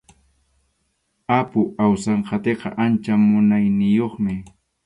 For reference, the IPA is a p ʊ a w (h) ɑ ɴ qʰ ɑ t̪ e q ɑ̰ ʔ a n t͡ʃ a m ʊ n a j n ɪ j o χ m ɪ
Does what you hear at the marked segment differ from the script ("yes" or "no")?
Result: yes